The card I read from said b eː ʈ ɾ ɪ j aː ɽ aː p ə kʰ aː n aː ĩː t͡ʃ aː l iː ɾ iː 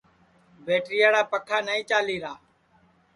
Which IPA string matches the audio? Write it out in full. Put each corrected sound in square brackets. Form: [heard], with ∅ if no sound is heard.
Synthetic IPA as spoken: b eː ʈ ɾ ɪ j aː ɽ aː p ə kʰ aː n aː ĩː t͡ʃ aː l iː ɾ [aː]